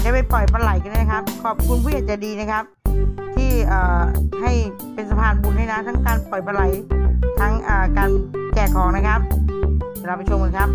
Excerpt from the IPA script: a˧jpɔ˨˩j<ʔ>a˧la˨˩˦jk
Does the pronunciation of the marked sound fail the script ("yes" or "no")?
yes